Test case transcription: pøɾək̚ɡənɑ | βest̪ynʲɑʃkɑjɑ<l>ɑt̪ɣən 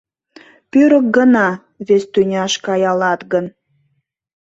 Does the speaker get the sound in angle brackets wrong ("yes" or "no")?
no